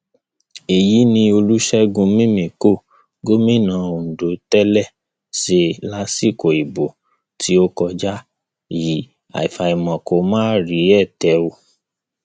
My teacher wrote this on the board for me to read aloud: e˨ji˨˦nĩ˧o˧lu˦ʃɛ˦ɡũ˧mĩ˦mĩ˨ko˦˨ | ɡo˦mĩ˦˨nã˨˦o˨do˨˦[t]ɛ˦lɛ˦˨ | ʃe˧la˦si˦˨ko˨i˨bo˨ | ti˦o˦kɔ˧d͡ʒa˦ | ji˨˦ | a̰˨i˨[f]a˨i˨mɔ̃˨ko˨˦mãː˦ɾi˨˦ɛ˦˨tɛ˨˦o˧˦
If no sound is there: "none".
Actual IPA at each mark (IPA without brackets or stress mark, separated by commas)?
t, f